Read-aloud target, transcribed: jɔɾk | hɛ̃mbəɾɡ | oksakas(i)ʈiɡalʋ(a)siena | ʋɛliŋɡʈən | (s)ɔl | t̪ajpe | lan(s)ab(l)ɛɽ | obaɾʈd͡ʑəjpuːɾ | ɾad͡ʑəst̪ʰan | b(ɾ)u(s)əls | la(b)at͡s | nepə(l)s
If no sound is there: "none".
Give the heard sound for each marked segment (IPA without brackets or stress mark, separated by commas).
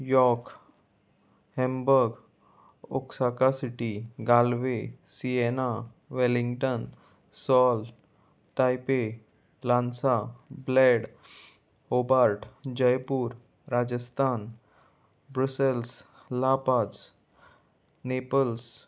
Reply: i, e, s, s, l, ɾ, s, p, l